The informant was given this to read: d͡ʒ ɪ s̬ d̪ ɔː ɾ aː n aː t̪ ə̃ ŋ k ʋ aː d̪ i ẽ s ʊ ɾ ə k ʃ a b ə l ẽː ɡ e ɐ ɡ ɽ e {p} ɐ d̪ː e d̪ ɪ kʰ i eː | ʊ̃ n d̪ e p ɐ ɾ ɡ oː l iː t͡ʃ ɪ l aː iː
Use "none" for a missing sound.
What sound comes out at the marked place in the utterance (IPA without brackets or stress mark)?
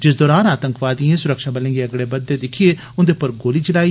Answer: b